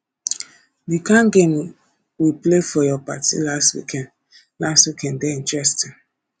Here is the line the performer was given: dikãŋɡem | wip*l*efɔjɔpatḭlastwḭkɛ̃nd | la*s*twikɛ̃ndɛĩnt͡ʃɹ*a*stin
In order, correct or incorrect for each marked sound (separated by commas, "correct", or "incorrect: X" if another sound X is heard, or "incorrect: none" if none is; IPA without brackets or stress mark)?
correct, correct, incorrect: ɛ